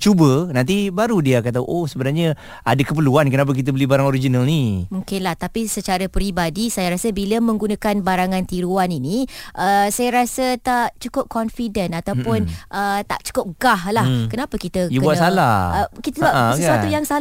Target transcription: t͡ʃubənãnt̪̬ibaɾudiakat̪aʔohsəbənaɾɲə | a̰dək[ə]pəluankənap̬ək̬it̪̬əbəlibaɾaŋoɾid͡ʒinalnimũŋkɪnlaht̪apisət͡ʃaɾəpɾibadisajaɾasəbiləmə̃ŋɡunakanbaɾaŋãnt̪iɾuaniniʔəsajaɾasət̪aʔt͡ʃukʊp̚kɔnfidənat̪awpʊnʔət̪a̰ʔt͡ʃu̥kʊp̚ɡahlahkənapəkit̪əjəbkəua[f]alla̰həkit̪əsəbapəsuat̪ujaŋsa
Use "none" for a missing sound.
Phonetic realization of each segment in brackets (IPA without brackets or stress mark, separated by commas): ə, s